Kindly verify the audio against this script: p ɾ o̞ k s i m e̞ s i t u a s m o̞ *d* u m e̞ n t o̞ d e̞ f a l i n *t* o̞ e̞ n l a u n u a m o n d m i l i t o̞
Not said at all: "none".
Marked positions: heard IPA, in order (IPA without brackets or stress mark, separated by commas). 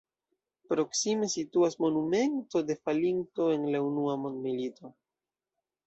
n, t